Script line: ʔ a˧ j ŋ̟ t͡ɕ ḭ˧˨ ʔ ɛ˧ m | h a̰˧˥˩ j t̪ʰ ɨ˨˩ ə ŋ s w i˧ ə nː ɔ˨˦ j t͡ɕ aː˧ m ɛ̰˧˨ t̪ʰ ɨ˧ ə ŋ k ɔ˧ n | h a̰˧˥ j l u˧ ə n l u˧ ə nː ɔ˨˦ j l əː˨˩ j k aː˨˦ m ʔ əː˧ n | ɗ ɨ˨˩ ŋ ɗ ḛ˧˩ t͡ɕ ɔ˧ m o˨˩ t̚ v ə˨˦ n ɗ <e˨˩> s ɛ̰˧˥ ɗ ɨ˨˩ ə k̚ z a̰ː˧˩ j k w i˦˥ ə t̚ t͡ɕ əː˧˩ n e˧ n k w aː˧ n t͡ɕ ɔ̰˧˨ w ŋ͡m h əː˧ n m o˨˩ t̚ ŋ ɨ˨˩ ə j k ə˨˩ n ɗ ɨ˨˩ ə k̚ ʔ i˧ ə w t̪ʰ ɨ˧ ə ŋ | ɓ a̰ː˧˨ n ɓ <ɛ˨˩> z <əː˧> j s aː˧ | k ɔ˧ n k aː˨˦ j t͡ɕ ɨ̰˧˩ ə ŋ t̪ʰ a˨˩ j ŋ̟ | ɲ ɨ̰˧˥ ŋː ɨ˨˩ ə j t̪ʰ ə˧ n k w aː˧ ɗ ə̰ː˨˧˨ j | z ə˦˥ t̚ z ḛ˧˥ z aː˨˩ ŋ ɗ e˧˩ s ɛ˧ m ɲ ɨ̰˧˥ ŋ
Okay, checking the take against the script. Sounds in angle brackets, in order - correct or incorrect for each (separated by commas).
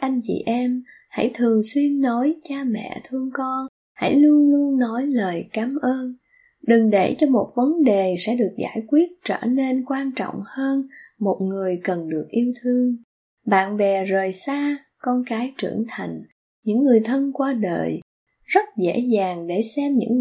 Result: correct, correct, incorrect